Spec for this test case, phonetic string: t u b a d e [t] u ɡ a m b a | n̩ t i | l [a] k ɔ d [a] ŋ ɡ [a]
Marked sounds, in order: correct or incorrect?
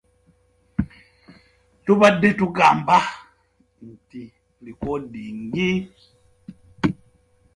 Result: correct, incorrect, incorrect, incorrect

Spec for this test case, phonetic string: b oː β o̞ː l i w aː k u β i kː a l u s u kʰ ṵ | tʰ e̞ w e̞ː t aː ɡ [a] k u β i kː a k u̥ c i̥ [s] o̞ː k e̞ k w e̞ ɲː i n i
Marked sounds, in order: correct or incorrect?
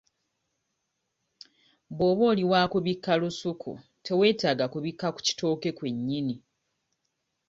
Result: correct, incorrect

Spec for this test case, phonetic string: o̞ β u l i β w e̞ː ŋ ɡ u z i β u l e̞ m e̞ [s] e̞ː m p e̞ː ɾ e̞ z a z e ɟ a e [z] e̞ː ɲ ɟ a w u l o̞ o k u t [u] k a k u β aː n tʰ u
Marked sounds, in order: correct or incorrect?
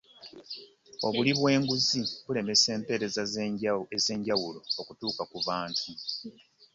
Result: correct, correct, incorrect

